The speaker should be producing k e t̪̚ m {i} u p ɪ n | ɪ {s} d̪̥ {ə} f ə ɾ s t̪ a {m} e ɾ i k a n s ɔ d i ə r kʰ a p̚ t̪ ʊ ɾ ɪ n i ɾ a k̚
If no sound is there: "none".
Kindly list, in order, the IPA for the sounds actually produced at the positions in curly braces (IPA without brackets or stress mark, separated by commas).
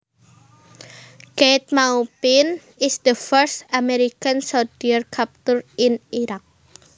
a, s, ə, m